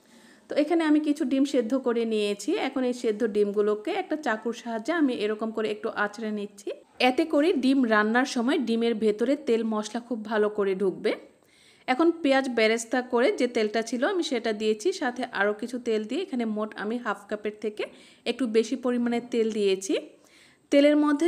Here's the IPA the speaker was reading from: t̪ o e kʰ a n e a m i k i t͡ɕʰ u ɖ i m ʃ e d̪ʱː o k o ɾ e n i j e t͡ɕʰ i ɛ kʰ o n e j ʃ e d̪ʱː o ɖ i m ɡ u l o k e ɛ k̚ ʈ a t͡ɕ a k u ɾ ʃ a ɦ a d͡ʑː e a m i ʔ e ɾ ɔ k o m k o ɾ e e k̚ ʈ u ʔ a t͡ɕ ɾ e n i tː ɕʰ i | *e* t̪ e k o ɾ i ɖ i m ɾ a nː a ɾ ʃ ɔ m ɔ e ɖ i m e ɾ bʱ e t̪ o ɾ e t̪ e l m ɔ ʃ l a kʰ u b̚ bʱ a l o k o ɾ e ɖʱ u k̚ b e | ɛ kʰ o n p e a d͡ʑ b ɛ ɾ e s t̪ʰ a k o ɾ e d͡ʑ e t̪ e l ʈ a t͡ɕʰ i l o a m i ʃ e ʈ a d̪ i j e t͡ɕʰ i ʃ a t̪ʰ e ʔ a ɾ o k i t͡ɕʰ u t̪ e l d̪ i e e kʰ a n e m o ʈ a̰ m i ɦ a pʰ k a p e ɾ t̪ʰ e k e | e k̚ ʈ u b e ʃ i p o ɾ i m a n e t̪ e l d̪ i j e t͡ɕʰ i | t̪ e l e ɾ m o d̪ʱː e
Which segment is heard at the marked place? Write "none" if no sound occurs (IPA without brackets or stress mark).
ɛ